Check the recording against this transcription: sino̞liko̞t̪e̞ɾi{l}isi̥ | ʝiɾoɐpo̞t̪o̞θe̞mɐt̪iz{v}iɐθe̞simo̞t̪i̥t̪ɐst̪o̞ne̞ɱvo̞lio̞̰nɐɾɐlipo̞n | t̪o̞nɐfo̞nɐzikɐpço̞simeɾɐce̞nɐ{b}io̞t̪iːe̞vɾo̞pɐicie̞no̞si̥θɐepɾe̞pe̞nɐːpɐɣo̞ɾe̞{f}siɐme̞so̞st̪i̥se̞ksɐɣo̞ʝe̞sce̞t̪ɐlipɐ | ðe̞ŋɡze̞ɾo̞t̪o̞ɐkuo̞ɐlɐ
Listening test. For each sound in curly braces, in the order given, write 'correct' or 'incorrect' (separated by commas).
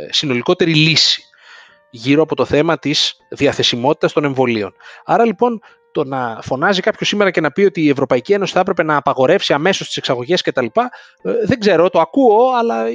correct, incorrect, incorrect, correct